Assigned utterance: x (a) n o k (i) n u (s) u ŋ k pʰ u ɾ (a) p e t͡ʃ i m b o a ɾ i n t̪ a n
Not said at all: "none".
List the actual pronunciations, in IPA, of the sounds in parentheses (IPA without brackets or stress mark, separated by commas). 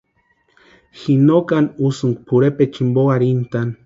i, a, s, e